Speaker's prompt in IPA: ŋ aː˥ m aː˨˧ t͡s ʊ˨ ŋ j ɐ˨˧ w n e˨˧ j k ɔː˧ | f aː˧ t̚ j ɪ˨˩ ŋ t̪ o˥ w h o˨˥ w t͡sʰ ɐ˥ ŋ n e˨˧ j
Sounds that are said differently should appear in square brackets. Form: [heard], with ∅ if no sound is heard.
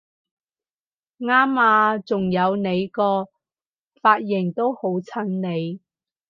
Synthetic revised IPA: ŋ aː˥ m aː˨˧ t͡s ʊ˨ ŋ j ɐ˨˧ w n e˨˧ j k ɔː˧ | f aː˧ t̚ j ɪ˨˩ ŋ t̪ o˥ w h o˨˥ w t͡sʰ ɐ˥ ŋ n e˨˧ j